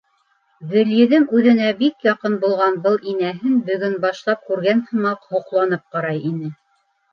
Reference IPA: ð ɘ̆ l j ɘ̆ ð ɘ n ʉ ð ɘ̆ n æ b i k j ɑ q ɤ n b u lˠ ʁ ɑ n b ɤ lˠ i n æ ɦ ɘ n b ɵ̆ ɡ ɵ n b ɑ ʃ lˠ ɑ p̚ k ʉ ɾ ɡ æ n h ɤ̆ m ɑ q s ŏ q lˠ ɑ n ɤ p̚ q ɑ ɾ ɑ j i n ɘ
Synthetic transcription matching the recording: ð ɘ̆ l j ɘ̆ ð ɘ ŋ ʉ ð ɘ̆ n æ b i k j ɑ q ɤ n b u lˠ ʁ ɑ n b ɤ lˠ i n æ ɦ ɘ n b ɵ̆ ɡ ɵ n b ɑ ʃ lˠ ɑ p̚ k ʉ ɾ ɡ æ n h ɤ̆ m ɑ q h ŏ q lˠ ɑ n ɤ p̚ q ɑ ɾ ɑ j i n ɘ